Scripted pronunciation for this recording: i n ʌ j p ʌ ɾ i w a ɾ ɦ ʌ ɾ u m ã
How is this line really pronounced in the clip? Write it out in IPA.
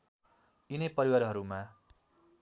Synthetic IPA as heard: i n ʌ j p ʌ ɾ i w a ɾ ɦ ʌ ɾ u m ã